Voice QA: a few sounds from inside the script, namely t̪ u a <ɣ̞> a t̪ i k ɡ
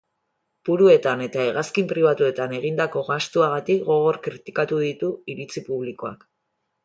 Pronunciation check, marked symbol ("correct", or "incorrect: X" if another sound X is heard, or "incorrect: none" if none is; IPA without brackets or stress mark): correct